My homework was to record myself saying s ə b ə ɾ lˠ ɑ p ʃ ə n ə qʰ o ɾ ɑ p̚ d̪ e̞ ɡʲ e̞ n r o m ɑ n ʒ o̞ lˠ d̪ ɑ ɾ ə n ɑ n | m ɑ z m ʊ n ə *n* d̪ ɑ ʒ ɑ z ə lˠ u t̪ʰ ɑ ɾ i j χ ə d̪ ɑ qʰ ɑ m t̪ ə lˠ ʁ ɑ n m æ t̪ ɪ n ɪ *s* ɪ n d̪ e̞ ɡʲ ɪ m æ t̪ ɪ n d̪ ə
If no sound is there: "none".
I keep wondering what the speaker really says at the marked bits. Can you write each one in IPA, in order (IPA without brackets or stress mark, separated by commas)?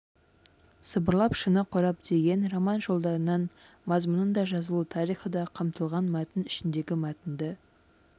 n, ʃ